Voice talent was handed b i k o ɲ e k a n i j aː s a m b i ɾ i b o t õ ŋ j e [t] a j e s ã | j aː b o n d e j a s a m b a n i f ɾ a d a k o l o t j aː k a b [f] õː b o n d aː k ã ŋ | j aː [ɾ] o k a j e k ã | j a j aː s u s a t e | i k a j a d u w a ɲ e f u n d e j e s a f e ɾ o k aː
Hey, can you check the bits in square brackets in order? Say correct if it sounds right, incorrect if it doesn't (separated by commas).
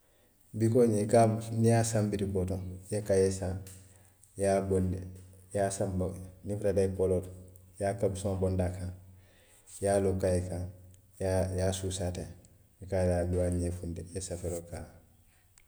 incorrect, incorrect, incorrect